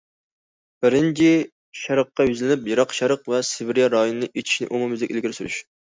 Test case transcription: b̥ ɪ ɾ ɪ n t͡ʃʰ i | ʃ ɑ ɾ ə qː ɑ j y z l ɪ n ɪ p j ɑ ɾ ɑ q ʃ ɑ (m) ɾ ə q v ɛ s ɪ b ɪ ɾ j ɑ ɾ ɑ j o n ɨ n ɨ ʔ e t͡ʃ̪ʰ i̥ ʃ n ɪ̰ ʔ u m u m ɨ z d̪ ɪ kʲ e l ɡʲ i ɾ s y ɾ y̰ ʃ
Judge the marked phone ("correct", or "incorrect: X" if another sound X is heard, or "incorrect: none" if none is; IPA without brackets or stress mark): incorrect: none